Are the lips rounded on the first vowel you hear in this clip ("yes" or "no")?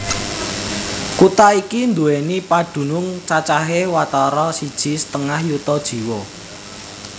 yes